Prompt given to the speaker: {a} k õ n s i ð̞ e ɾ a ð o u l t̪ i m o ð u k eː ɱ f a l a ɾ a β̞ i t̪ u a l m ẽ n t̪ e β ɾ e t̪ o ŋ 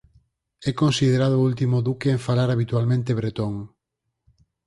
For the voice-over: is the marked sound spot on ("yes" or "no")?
no